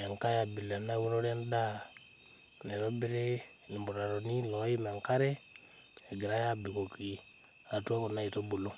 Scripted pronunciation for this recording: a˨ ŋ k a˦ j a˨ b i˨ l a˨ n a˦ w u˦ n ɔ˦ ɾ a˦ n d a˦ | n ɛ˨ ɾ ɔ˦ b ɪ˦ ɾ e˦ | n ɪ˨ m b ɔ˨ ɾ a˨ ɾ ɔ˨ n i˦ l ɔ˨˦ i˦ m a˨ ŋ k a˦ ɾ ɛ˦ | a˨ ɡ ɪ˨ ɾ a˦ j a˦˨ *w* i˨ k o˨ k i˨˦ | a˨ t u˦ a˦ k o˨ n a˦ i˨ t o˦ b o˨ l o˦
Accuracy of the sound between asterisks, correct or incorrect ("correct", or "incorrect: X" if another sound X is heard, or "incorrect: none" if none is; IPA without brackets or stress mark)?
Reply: incorrect: b